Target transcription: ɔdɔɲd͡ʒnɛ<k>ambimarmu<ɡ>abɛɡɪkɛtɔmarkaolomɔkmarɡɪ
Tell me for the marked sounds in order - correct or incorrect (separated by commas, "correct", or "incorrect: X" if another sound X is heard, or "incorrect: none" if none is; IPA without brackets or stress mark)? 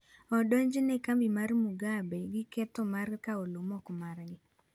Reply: correct, correct